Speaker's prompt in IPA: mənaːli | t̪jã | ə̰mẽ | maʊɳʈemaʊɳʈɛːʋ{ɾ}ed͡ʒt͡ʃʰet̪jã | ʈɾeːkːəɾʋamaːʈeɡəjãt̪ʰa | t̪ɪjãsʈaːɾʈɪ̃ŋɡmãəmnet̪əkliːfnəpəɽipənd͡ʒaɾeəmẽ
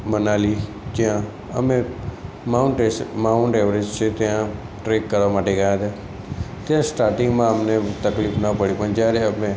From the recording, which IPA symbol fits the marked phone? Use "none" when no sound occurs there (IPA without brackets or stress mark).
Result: ɾ